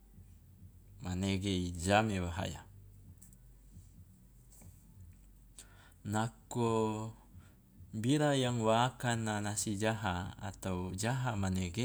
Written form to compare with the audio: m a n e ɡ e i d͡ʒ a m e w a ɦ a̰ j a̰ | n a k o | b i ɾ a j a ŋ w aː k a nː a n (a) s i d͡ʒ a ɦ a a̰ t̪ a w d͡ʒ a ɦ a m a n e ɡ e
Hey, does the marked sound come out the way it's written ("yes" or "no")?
yes